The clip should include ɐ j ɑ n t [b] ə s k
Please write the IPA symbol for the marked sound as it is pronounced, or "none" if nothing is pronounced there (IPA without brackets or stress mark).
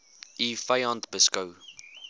b